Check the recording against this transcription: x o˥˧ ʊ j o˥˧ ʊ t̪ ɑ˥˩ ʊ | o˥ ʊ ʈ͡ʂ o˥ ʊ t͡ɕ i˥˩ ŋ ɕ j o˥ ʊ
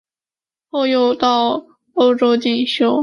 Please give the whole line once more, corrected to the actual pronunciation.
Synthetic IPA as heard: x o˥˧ ʊ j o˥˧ ʊ t̪ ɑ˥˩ ʊ | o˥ ʊ ʈ͡ʂ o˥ ʊ t͡ɕ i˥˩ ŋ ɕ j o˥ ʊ